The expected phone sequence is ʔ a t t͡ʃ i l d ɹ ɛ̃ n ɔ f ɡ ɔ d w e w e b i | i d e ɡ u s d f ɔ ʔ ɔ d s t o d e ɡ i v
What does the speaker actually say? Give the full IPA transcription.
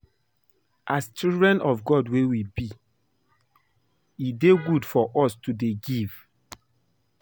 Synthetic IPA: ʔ a s t͡ʃ i l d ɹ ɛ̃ n ɔ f ɡ ɔ d w e w i b i | i d e ɡ u d f ɔ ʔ ɔ s t u d e ɡ i v